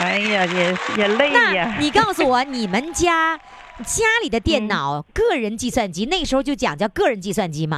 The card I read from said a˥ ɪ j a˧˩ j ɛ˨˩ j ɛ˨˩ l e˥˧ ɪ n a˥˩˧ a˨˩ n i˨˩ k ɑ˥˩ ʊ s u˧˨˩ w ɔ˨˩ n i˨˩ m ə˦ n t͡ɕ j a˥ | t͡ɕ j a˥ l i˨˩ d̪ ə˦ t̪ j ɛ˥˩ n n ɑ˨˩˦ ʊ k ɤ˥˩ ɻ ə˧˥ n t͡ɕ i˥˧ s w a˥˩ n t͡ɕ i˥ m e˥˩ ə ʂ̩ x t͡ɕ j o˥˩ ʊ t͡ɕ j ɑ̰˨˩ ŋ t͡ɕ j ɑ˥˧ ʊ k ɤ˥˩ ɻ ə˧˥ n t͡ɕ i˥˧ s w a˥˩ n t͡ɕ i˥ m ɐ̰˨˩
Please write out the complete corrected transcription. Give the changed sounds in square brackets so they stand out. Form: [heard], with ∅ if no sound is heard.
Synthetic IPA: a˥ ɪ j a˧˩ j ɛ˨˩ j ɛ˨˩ l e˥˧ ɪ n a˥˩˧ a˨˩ n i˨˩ k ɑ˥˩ ʊ s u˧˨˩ w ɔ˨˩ n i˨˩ m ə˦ n t͡ɕ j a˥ | t͡ɕ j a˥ l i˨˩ d̪ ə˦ t̪ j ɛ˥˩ n n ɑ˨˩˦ ʊ k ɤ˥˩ ɻ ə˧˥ n t͡ɕ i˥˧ s w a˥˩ n t͡ɕ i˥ [n] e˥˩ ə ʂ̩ x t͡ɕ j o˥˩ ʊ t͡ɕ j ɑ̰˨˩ ŋ t͡ɕ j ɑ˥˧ ʊ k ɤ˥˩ ɻ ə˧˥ n t͡ɕ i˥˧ s w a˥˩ n t͡ɕ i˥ m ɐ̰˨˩